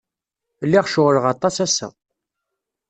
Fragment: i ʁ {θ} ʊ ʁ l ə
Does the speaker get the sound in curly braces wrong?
yes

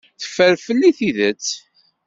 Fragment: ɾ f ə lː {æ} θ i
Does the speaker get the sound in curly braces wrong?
yes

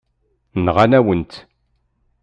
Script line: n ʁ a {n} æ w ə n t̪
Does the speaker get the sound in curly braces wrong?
no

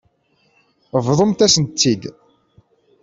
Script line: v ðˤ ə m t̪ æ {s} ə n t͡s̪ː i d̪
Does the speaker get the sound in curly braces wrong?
no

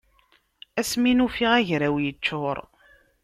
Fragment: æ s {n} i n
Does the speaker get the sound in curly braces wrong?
yes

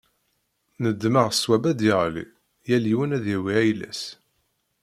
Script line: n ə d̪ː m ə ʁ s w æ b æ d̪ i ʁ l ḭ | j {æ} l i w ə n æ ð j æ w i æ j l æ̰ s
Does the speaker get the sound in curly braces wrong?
no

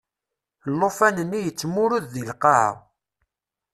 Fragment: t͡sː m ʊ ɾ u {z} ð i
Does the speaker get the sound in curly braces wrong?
yes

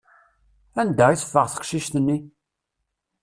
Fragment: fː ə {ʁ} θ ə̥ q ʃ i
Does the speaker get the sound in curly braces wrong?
no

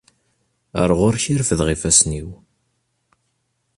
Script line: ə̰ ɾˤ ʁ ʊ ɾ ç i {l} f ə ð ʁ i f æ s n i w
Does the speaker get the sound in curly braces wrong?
yes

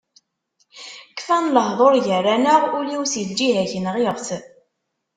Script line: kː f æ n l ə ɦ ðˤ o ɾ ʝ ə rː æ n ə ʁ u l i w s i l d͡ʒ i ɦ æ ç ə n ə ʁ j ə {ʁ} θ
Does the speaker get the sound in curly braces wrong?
no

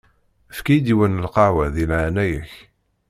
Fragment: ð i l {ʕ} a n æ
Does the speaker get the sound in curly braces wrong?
no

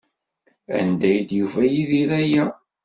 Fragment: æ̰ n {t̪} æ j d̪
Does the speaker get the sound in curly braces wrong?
yes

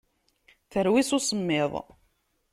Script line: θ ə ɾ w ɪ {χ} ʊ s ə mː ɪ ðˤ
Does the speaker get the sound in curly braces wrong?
yes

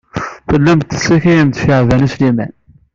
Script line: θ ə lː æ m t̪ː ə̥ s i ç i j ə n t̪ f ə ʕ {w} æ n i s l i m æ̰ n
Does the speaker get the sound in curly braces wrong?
yes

